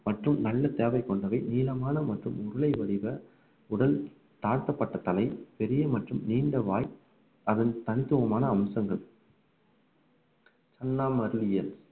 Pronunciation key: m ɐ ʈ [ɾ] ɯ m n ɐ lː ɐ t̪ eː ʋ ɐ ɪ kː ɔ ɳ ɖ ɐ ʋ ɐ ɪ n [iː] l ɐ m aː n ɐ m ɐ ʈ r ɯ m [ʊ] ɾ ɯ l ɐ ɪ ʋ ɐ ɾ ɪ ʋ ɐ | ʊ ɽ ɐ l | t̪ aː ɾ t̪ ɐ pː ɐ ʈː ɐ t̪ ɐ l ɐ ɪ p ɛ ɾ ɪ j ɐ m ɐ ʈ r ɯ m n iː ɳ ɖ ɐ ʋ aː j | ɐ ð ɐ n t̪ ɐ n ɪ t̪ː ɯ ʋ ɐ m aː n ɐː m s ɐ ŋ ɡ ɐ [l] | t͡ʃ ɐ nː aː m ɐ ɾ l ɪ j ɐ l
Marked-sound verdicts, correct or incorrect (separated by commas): incorrect, correct, correct, incorrect